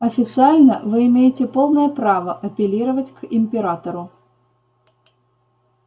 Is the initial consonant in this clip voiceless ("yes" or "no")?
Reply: yes